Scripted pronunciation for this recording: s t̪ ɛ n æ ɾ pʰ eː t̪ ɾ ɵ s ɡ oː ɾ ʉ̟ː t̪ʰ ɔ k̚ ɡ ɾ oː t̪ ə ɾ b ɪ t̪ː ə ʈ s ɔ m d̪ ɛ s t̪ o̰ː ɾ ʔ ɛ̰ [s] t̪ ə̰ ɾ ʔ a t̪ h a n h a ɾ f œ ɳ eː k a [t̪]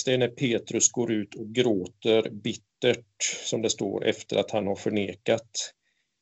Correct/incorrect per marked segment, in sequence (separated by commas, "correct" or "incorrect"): incorrect, correct